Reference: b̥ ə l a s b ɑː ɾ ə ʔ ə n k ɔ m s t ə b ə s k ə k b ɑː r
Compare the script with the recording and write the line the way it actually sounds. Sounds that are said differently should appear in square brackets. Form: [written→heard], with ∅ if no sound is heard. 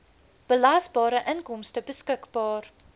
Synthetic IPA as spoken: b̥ ə l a s b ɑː ɾ ə ʔ ə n k ɔ m s t ə b ə s k ə k b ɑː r